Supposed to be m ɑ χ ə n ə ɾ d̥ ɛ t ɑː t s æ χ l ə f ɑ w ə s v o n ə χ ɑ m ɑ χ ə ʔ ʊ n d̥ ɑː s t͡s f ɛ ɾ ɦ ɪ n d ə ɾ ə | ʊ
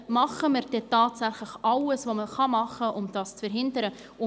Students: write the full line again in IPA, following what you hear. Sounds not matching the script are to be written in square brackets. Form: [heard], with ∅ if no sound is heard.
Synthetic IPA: m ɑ χ ə [m] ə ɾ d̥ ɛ t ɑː t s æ χ l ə [χ] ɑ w ə s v o [m] ə χ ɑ m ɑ χ ə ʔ ʊ [m] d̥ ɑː s t͡s f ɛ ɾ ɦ ɪ n d ə ɾ ə | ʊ